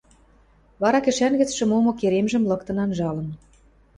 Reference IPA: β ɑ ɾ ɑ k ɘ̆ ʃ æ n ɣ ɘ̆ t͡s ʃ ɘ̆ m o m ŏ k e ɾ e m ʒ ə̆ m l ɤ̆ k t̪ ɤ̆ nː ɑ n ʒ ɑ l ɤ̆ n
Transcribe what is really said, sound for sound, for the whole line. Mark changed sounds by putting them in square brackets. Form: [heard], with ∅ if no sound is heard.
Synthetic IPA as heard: β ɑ ɾ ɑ k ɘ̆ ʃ æ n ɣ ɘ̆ t͡s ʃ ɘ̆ m o m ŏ k e ɾ e m ʒ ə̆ m l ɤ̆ k t̪ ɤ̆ [n] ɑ n ʒ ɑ l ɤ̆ n